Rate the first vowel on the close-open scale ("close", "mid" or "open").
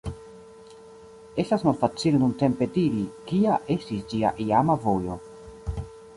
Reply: mid